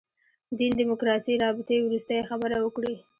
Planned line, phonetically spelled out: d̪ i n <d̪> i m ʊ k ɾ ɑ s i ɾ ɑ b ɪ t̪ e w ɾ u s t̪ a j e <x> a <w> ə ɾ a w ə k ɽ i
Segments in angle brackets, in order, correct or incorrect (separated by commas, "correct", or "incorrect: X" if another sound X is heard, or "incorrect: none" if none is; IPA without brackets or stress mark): correct, correct, incorrect: b